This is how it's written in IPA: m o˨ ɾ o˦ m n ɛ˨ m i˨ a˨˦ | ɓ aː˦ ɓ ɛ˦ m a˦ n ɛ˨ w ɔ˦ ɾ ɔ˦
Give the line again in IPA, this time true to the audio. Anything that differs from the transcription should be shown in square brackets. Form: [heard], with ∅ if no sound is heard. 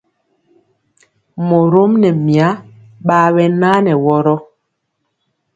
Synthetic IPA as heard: m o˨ ɾ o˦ m n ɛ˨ m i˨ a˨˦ | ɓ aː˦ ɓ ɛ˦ [n] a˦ n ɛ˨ w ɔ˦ ɾ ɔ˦